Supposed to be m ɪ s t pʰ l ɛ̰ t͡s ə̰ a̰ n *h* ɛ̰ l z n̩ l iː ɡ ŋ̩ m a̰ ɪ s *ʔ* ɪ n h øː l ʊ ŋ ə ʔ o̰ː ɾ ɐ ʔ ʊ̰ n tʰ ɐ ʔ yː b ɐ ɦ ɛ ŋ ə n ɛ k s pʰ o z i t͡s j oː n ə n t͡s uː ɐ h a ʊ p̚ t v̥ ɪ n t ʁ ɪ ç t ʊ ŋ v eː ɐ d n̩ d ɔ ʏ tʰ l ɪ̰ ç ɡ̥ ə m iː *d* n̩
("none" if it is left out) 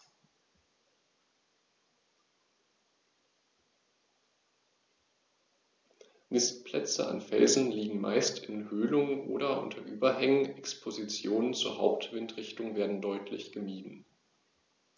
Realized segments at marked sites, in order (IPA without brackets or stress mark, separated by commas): f, t, d